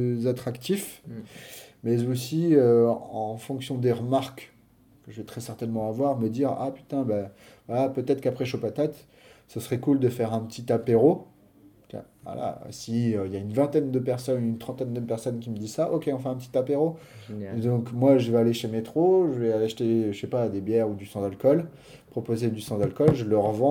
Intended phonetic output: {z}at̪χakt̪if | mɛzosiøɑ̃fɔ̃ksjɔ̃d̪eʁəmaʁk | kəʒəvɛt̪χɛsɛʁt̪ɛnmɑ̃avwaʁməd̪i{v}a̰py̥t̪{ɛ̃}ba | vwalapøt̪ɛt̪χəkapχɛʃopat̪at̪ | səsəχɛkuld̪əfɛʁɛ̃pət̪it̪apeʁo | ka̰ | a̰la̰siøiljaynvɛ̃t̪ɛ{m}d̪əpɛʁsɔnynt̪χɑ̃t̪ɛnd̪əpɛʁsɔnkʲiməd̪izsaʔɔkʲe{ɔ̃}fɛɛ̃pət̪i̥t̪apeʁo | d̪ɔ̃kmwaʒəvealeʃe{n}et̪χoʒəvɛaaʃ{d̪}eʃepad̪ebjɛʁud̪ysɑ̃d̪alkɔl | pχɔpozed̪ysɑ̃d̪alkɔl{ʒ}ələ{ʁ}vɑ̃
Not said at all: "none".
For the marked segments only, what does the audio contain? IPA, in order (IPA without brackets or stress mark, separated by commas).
z, ʁ, ɛ̃, n, ɔ̃, m, t̪, ʒ, ʁ